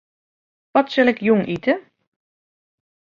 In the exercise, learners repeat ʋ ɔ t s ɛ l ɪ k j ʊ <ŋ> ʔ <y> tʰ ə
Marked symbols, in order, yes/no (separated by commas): yes, no